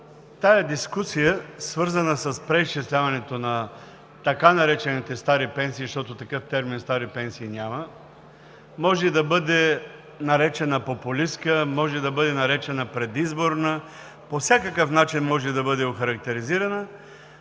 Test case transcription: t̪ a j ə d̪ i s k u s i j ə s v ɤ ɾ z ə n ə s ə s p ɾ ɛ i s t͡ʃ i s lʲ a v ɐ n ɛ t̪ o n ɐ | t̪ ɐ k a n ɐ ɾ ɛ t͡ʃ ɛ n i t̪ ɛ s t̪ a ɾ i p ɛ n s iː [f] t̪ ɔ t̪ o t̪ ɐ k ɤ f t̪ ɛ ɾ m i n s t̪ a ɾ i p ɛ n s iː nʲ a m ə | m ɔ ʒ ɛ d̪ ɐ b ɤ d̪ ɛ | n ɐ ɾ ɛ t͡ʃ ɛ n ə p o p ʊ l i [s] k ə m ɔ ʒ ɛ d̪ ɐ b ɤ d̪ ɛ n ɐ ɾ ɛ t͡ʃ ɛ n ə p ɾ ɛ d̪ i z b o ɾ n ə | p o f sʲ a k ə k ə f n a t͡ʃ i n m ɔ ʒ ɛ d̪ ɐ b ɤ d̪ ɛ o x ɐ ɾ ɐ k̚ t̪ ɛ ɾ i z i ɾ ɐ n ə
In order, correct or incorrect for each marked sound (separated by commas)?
incorrect, correct